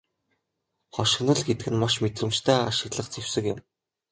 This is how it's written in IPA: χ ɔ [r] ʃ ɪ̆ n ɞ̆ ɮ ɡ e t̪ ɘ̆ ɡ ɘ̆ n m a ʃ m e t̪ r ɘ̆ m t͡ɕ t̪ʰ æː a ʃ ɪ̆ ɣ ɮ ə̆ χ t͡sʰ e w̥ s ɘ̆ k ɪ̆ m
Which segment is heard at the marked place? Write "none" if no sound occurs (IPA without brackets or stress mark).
none